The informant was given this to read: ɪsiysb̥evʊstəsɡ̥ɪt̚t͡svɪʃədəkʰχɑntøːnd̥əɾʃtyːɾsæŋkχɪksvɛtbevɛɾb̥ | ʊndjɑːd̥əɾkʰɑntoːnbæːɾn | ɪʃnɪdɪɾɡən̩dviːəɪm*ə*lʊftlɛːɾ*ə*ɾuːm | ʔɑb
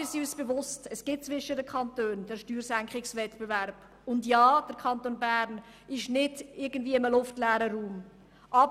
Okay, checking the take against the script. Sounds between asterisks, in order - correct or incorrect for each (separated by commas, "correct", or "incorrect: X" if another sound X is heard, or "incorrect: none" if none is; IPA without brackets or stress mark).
correct, correct